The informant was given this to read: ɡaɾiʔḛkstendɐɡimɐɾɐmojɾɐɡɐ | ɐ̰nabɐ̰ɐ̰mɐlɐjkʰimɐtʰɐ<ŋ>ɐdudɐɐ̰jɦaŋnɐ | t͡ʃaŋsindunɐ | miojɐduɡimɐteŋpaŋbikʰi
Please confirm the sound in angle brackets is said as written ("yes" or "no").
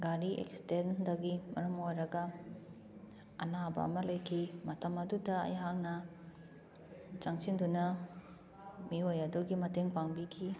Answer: no